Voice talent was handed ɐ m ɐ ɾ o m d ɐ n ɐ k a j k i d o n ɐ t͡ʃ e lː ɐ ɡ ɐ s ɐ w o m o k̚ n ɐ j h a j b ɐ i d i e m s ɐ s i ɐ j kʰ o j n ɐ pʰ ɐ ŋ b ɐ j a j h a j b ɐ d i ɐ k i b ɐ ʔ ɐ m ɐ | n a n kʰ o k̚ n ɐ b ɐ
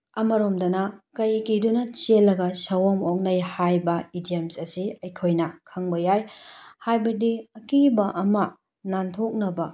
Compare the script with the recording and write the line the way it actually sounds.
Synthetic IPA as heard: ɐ m ɐ ɾ o m d ɐ n ɐ k ɐ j k i d u n ɐ t͡ʃ e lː ɐ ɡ ɐ s ɐ w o m o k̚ n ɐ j h a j b ɐ i d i e m s ɐ s i ɐ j kʰ o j n ɐ kʰ ɐ ŋ b ɐ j a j h a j b ɐ d i ɐ k i b ɐ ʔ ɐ m ɐ | n a n tʰ o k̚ n ɐ b ɐ